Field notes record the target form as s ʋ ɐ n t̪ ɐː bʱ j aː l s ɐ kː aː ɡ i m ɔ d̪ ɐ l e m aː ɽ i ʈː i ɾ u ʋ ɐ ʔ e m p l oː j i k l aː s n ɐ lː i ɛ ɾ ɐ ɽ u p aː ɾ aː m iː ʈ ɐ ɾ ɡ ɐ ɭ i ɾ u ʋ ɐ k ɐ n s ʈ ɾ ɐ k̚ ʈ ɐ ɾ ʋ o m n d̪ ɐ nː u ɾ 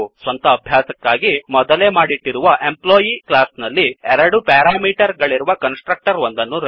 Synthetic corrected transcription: s ʋ ɐ n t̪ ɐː bʱ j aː s ɐ kː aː ɡ i m ɔ d̪ ɐ l e m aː ɽ i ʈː i ɾ u ʋ ɐ ʔ e m p l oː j i k l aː s n ɐ lː i ɛ ɾ ɐ ɽ u p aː ɾ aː m iː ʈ ɐ ɾ ɡ ɐ ɭ i ɾ u ʋ ɐ k ɐ n s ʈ ɾ ɐ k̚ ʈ ɐ ɾ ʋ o n d̪ ɐ nː u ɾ